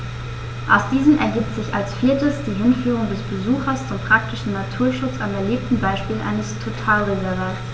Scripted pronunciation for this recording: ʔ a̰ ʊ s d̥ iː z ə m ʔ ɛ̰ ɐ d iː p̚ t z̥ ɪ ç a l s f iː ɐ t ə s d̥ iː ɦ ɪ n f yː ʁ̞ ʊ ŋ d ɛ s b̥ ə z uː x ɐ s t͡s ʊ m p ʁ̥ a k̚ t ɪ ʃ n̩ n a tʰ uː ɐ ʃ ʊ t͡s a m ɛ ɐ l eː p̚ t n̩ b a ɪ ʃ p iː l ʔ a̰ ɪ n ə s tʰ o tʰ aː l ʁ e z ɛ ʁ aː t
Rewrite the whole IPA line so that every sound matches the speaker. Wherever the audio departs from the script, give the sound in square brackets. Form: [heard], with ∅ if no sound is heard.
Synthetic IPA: ʔ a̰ ʊ s d̥ iː z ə m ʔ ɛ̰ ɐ [ɡ] iː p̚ t z̥ ɪ ç a l s f iː ɐ t ə s d̥ iː ɦ ɪ n f yː ʁ̞ ʊ ŋ d ɛ s b̥ ə z uː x ɐ s t͡s ʊ m p ʁ̥ a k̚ t ɪ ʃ n̩ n a tʰ uː ɐ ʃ ʊ t͡s a m ɛ ɐ l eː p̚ t n̩ b a ɪ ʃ p iː l ʔ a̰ ɪ n ə s tʰ o tʰ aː l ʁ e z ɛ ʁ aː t